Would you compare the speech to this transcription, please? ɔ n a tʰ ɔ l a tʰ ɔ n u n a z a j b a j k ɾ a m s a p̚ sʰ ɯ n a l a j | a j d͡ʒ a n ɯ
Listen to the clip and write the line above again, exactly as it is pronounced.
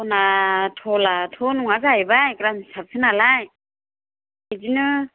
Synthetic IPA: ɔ n a tʰ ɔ l a tʰ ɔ n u ŋ a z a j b a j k ɾ a m s a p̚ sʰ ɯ n a l a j | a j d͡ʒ i n ɯ